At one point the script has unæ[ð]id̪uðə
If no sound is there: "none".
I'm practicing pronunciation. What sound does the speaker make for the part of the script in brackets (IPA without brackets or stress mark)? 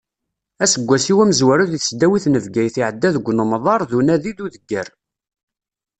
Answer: ð